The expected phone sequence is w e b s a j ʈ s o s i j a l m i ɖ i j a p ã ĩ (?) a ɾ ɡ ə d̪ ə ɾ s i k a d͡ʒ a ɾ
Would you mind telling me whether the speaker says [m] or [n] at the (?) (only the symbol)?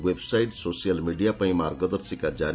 m